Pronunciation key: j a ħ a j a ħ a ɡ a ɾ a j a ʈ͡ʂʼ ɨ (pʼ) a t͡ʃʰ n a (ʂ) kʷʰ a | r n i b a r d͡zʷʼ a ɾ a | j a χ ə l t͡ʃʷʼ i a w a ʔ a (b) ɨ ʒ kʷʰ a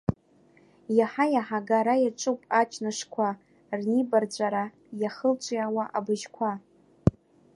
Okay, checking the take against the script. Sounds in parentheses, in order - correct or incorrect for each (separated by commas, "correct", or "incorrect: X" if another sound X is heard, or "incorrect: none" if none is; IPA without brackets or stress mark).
correct, correct, correct